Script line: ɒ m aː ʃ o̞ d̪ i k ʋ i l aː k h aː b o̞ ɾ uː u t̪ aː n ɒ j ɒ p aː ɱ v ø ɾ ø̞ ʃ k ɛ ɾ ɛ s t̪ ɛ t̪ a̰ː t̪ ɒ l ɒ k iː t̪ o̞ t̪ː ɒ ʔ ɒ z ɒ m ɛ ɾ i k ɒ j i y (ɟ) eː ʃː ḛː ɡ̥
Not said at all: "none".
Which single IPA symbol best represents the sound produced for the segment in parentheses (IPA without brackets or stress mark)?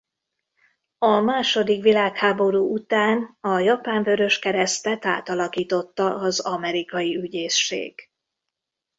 ɟ